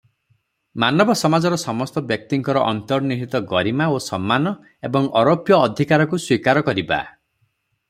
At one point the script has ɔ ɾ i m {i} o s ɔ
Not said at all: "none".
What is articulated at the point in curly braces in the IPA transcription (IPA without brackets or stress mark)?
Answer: a